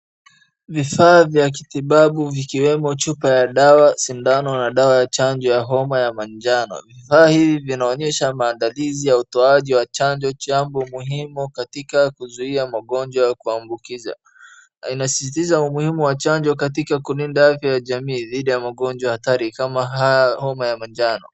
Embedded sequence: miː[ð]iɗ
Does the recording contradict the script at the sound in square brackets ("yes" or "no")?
no